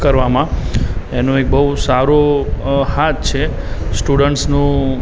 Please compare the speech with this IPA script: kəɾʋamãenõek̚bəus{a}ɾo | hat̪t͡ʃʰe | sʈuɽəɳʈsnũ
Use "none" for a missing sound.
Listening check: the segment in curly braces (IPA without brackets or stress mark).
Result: a